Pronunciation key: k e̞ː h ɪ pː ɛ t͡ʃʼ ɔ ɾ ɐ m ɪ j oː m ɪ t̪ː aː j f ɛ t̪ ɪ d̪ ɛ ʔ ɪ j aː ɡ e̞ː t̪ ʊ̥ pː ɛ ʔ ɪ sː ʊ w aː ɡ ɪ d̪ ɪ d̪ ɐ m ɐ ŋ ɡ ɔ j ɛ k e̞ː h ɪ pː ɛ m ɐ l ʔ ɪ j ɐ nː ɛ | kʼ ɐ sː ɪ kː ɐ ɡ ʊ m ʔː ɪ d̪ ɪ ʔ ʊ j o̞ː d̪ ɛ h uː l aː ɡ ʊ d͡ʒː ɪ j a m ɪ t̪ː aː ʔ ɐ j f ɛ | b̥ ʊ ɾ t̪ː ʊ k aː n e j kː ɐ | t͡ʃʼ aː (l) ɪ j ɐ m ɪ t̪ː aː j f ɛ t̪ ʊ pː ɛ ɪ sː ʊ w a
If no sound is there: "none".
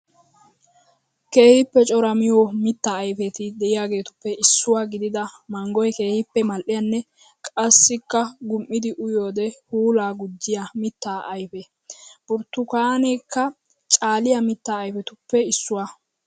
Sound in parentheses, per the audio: l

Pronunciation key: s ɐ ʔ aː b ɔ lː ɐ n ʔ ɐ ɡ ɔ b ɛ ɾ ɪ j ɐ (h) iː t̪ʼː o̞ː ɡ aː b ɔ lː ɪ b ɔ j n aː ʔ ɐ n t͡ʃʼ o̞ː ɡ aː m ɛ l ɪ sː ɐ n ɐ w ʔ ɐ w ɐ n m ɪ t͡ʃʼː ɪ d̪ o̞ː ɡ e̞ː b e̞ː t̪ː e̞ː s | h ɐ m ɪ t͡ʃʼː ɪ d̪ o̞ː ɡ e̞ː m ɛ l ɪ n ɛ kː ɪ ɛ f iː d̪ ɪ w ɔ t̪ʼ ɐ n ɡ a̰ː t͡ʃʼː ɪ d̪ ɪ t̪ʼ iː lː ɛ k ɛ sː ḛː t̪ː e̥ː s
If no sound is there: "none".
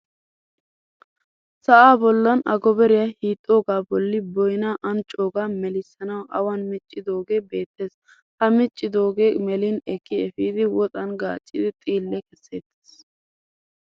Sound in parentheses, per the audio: h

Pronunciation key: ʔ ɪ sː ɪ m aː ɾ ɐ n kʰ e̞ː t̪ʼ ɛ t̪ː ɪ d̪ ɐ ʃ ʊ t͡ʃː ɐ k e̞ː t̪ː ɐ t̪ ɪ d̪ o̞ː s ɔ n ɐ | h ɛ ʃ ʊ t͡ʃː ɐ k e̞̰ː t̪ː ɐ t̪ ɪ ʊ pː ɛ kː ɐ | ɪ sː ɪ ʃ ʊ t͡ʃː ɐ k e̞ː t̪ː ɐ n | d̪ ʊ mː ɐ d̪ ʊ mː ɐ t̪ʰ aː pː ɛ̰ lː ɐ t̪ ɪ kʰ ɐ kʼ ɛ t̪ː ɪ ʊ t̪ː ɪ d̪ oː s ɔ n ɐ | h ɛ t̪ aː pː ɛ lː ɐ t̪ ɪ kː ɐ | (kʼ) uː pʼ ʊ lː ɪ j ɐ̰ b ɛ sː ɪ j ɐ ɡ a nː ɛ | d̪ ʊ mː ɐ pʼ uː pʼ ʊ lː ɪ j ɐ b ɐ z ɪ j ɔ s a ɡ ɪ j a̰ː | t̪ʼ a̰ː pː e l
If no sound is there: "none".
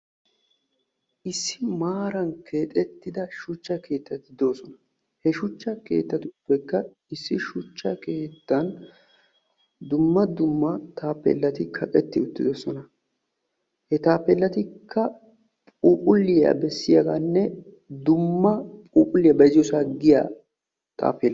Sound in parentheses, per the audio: pʼ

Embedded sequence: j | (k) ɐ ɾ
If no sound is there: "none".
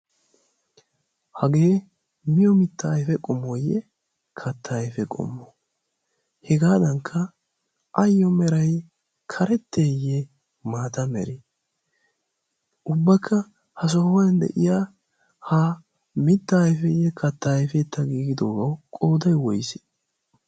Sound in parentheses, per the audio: kʰ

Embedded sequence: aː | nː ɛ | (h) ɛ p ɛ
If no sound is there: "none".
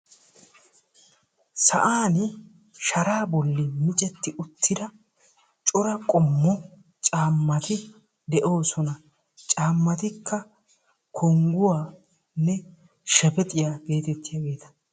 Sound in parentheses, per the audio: ʃ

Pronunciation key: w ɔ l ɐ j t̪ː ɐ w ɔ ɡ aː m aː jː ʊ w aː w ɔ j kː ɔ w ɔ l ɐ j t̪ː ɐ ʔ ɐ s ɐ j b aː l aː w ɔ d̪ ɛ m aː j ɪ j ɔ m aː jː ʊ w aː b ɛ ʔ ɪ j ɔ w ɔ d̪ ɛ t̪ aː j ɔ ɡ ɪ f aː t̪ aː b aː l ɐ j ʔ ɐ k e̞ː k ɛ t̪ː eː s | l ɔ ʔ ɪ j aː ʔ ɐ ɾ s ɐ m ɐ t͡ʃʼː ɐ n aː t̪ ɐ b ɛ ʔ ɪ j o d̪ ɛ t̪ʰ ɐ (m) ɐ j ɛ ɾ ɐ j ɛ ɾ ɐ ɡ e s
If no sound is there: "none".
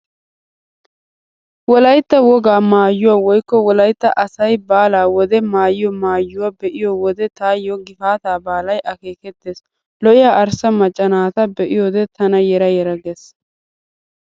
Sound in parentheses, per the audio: n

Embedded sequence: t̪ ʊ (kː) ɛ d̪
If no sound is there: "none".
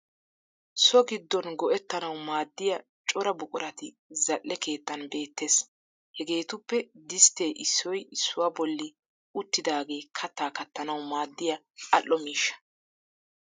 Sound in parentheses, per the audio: pː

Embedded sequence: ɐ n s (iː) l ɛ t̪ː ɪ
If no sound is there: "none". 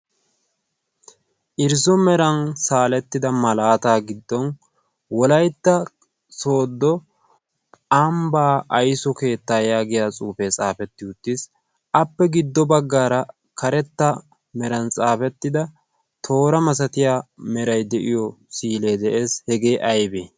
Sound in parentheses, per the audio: aː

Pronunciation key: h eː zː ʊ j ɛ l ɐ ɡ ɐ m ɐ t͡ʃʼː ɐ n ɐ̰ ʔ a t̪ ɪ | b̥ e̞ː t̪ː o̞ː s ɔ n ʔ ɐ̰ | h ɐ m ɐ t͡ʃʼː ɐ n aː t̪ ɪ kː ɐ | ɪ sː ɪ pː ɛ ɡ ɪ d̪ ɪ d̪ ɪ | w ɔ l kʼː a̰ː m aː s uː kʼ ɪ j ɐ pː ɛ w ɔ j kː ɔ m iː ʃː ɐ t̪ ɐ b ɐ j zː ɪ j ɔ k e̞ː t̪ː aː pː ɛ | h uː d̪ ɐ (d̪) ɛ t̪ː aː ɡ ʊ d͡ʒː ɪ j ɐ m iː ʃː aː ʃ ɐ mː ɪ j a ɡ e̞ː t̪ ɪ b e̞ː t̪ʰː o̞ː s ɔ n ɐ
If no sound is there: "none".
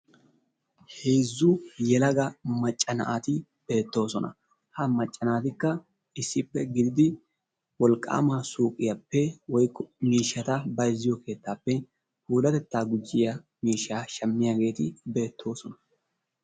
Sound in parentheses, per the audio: t̪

